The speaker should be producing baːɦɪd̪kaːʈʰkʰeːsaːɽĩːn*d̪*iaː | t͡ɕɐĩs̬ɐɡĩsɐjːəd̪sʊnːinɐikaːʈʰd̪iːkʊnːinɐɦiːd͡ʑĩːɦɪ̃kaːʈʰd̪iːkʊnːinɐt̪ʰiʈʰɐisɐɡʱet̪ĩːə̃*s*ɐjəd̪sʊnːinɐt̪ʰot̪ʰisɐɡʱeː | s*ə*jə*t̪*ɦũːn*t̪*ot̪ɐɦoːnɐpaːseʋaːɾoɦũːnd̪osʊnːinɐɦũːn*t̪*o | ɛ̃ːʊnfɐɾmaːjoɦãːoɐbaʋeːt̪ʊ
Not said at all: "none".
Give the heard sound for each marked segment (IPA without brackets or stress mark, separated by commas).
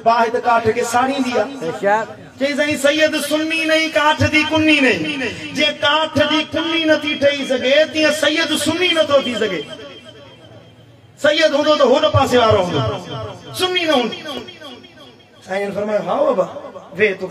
d̪, s, ɐ, d̪, d̪, d̪